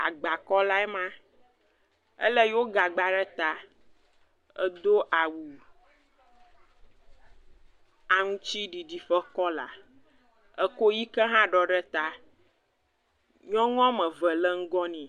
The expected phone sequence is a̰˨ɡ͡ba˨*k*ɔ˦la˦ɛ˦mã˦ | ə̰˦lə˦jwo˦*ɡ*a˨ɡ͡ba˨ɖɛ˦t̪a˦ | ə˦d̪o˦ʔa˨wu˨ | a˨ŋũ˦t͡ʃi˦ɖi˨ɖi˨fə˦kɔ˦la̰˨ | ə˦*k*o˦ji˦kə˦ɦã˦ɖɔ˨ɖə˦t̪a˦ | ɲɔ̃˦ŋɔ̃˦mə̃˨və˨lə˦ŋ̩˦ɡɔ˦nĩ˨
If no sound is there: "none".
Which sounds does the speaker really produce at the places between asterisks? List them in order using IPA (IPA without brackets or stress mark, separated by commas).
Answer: k, ɡ, k